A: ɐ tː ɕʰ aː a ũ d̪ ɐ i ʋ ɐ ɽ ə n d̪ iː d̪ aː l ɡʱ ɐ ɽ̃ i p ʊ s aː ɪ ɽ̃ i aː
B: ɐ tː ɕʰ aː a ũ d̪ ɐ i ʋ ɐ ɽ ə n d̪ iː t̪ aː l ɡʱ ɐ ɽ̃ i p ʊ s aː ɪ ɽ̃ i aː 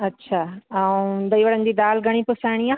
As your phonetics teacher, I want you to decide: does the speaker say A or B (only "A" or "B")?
A